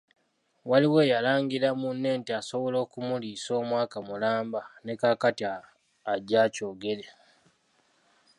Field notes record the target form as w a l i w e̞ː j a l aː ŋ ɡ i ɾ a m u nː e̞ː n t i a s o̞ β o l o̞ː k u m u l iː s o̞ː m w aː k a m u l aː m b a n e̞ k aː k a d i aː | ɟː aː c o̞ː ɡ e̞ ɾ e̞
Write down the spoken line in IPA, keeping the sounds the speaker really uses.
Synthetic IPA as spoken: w a l i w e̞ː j a l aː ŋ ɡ i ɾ a m u nː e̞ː n t i a s o̞ β o l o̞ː k u m u l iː s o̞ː m w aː k a m u l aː m b a n e̞ k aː k a t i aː | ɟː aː c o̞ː ɡ e̞ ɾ e̞

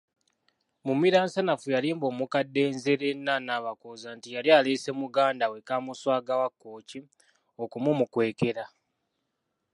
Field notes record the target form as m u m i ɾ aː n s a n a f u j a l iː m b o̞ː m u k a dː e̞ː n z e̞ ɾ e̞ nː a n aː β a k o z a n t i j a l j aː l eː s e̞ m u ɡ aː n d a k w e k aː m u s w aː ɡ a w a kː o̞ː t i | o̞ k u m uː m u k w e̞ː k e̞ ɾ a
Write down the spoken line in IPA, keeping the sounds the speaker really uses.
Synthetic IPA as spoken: m u m i ɾ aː n s a n a f u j a l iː m b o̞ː m u k a dː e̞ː n z e̞ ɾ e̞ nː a n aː β a k o z a n t i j a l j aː l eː s e̞ m u ɡ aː n d a w e k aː m u s w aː ɡ a w a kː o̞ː c i | o̞ k u m u m u k w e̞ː k e̞ ɾ a

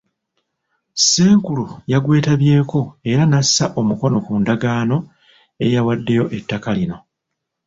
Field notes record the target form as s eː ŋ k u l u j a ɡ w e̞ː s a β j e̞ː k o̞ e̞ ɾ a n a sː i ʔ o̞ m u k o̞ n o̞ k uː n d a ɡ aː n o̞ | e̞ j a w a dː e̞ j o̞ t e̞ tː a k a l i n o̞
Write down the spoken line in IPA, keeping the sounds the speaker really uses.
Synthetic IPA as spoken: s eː ŋ k u l u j a ɡ w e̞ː t a β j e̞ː k o̞ e̞ ɾ a n a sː a ʔ o̞ m u k o̞ n o̞ k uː n d a ɡ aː n o̞ | e̞ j a w a dː e̞ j o̞ ʔ e̞ tː a k a l i n o̞

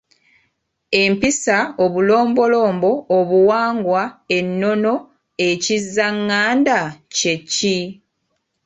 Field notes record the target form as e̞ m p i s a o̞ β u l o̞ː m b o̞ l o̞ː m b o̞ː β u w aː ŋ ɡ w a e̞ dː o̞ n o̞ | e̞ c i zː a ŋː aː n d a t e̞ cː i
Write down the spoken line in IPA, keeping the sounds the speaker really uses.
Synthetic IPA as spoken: e̞ m p i s a o̞ β u l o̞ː m b o̞ l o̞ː m b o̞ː β u w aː ŋ ɡ w a e̞ nː o̞ n o̞ | e̞ c i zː a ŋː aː n d a c e̞ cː i

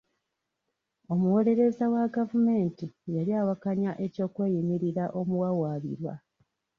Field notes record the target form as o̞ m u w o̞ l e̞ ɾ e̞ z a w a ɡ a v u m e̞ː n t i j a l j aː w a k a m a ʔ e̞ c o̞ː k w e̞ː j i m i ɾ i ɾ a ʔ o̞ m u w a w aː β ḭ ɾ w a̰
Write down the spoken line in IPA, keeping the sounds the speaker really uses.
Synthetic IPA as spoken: o̞ m u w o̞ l e̞ ɾ e̞ z a w a ɡ a v u m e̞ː n t i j a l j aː w a k a ɲ a ʔ e̞ c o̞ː k w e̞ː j i m i ɾ i ɾ a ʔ o̞ m u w a w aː β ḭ ɾ w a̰

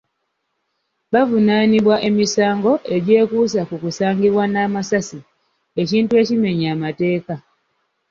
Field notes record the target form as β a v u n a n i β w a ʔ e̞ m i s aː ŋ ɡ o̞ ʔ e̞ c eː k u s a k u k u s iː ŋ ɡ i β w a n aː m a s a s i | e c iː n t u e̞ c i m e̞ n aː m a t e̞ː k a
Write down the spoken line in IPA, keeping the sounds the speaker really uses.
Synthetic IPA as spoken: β a v u n a n i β w a ʔ e̞ m i s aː ŋ ɡ o̞ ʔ e̞ ɟ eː k u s a k u k u s aː ŋ ɡ i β w a n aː m a s a s i | e c iː n t u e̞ c i m e̞ ɲ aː m a t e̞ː k a

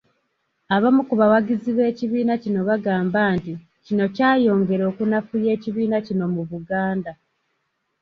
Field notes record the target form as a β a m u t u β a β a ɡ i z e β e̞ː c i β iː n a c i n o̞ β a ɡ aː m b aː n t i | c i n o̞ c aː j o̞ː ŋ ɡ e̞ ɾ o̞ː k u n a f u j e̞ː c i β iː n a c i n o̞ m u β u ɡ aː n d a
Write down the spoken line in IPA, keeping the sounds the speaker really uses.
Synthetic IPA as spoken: a β a m u k u β a w a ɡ i z i β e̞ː c i β iː n a c i n o̞ β a ɡ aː m b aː n t i | c i n o̞ c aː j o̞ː ŋ ɡ e̞ ɾ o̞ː k u n a f u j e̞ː c i β iː n a c i n o̞ m u β u ɡ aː n d a

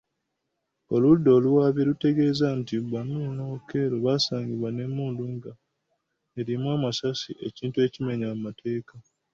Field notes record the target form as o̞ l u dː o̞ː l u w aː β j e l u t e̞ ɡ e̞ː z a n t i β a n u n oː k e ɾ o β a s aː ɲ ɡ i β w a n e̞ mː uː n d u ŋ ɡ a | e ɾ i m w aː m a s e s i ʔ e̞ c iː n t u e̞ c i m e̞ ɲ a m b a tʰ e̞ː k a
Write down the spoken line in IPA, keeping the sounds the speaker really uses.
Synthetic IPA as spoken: o̞ l u dː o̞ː l u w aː β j e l u t e̞ ɡ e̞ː z a n t i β a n u n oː k e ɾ o β a s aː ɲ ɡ i β w a n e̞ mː uː n d u ŋ ɡ a | e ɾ i m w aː m a s a s i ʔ e̞ c iː n t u e̞ c i m e̞ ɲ a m m a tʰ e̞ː k a

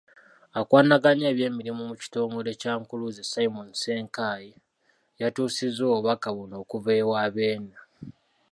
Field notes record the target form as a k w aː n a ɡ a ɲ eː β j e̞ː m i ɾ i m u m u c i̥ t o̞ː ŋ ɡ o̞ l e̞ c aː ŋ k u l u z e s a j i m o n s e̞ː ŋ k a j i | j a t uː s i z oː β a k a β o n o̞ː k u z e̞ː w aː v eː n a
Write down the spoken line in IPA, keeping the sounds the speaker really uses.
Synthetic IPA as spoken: a k w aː n a ɡ a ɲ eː β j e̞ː m i ɾ i m u m u c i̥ t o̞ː ŋ ɡ o̞ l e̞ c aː ŋ k u l u z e s a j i m o n s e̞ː ŋ k a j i | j a t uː s i z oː β a k a β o n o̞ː k u v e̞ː w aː β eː n a

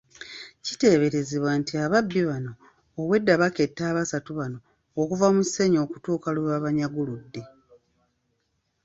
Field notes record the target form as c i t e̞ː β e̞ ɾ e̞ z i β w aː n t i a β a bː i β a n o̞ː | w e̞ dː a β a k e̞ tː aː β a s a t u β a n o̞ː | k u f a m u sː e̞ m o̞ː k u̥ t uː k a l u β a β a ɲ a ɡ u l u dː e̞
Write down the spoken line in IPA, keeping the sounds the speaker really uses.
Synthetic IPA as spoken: c i t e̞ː β e̞ ɾ e̞ z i β w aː n t i a β a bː i β a n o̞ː | w e̞ dː a β a k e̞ tː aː β a s a t u β a n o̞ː | k u v a m u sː e̞ ɲ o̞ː k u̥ t uː k a l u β a β a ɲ a ɡ u l u dː e̞

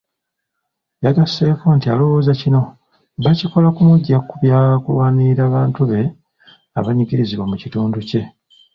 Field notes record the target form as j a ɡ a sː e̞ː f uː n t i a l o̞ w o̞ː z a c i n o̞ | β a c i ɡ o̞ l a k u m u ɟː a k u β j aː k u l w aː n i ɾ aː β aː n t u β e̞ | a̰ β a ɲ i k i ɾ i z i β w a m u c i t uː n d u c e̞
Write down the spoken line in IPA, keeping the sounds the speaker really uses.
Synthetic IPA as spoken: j a ɡ a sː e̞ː f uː n t i a l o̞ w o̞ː z a c i n o̞ | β a c i k o̞ l a k u m u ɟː a k u β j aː k u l w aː n i ɾ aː β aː n t u β e̞ | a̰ β a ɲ i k i ɾ i z i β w a m u c i t uː n d u c e̞

